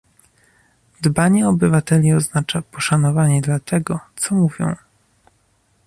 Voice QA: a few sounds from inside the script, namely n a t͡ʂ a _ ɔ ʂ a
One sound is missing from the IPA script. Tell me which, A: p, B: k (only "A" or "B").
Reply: A